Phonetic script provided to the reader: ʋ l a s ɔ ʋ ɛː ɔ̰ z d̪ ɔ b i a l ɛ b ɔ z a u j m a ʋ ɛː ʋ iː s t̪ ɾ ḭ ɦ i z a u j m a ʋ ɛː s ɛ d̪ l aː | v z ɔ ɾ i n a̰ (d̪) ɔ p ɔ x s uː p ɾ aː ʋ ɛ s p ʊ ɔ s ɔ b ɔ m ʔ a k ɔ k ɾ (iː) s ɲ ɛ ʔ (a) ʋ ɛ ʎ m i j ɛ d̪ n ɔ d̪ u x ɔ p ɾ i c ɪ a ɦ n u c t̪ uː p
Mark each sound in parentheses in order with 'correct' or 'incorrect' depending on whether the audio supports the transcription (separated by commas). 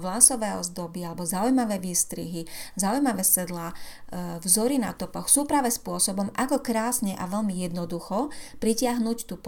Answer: incorrect, incorrect, correct